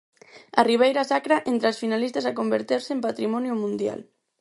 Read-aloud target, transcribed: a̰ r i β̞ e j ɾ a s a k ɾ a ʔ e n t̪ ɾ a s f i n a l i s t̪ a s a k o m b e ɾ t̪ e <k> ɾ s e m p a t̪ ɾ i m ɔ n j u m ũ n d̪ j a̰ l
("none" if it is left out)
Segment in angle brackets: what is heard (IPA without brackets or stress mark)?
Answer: none